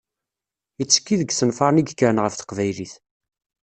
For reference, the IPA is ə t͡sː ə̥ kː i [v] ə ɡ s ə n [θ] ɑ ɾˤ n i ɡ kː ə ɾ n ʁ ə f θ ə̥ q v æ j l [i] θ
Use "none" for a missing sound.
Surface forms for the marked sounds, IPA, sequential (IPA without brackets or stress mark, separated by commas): ð, f, i